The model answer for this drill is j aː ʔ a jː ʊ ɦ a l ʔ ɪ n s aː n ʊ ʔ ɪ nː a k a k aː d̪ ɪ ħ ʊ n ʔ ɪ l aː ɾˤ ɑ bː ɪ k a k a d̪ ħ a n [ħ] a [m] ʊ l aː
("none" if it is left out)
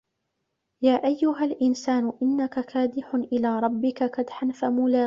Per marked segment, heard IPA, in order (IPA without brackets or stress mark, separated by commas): f, m